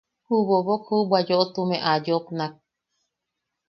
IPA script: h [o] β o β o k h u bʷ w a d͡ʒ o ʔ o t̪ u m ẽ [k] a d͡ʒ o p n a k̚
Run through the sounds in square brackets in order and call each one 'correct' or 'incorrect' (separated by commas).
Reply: incorrect, incorrect